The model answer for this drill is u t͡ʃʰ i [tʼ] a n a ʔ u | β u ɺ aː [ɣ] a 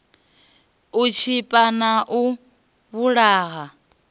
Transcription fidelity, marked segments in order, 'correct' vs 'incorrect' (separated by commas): incorrect, correct